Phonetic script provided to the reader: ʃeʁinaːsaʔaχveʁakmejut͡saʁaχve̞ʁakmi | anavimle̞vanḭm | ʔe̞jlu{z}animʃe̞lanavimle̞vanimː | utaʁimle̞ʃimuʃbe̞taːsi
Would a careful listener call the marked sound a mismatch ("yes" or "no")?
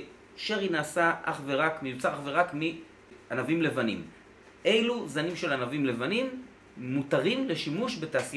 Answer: no